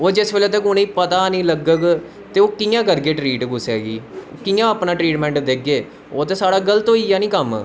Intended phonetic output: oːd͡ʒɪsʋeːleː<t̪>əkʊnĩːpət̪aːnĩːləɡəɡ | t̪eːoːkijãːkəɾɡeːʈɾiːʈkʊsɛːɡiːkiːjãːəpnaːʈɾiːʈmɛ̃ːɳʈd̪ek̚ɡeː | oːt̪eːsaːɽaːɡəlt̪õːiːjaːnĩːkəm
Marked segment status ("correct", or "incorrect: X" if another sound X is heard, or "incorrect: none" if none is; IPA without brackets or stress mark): correct